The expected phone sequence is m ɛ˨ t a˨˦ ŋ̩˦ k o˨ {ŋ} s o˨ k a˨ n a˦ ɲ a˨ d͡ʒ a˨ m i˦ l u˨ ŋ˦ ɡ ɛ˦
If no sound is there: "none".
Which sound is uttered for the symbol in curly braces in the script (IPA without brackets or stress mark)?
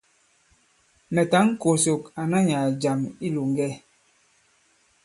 none